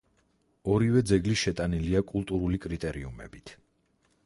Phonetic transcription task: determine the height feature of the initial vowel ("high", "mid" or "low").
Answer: mid